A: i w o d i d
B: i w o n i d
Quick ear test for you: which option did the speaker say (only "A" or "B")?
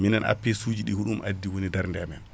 B